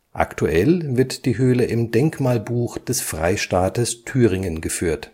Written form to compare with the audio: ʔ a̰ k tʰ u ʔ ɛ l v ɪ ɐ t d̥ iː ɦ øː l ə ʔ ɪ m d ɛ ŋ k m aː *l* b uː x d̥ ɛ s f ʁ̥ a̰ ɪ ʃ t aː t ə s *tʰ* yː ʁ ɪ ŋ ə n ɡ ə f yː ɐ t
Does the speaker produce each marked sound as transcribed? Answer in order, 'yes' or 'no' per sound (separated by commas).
yes, yes